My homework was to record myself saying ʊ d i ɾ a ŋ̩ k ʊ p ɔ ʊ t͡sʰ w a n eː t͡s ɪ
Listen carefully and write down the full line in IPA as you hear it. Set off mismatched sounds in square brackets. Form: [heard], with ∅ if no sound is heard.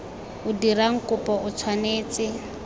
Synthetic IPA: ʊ d i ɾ a ŋ̩ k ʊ p ɔ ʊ t͡sʰ w a n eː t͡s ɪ

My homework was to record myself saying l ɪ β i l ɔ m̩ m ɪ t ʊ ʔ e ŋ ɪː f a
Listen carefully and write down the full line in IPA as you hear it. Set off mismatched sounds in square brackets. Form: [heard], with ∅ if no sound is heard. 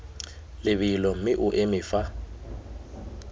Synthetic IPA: l ɪ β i l ɔ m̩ m ɪ [ʔ] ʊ ʔ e [m] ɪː f a

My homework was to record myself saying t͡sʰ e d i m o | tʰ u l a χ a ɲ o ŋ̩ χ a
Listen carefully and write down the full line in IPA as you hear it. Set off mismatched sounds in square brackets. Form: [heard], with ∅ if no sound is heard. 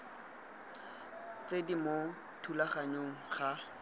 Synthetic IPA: [t͡s] e d i m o | tʰ u l a χ a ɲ o ŋ̩ χ a

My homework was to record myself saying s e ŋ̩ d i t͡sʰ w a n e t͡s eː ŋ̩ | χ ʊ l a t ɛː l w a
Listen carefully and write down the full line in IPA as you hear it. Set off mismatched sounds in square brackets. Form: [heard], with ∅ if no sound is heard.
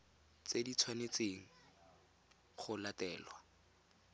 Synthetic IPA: [t͡s] e [∅] d i t͡sʰ w a n e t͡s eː ŋ̩ | χ ʊ l a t ɛː l w a

